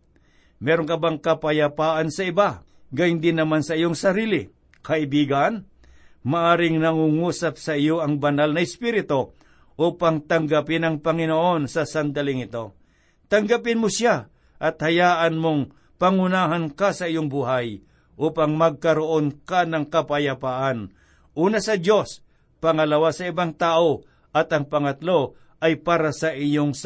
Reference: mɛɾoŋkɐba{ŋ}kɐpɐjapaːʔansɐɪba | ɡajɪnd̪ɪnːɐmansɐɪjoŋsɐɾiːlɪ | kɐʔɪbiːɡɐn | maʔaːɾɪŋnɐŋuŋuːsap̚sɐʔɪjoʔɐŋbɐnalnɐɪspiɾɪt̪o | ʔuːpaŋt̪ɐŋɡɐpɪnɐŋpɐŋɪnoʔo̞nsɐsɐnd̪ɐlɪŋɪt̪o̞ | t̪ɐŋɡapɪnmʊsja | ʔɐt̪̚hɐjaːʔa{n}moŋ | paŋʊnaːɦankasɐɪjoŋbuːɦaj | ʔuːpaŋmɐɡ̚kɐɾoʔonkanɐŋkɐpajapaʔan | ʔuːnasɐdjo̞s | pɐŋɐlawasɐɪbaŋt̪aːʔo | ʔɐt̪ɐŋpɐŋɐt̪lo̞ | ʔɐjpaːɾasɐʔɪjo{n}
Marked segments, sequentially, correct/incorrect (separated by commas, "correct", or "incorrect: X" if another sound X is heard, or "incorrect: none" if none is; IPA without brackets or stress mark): correct, correct, incorrect: ŋ